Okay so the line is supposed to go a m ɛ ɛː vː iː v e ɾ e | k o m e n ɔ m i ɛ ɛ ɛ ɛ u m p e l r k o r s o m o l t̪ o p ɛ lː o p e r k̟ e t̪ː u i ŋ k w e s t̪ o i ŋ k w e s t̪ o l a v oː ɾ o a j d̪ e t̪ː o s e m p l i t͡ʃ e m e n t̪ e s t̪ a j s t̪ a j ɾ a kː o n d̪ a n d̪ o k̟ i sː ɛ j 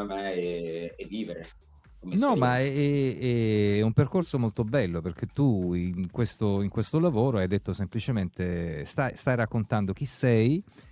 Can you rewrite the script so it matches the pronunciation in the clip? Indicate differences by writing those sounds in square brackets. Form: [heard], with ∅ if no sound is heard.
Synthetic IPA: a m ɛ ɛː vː iː v e ɾ e | k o m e n ɔ m [a] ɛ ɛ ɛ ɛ u m p e [∅] r k o r s o m o l t̪ o [b] ɛ lː o p e r k̟ e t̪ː u i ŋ k w e s t̪ o i ŋ k w e s t̪ o l a v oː ɾ o a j d̪ e t̪ː o s e m p l i t͡ʃ e m e n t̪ e s t̪ a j s t̪ a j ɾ a kː o n [t̪] a n d̪ o k̟ i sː ɛ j